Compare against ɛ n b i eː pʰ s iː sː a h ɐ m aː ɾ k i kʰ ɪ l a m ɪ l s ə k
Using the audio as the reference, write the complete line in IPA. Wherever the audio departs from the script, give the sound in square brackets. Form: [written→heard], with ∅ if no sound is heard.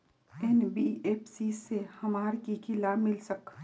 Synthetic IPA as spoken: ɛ n b i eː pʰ s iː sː [a→e] h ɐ m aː ɾ k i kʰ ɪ l a m ɪ l s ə k